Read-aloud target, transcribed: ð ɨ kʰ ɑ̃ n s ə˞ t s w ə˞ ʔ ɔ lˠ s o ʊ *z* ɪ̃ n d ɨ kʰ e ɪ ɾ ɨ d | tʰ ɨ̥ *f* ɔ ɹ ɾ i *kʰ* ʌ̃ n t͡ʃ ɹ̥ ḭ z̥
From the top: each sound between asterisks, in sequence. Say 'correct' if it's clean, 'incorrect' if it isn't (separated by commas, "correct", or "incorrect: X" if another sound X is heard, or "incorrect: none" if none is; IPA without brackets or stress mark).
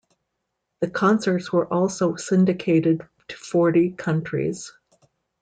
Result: incorrect: s, correct, correct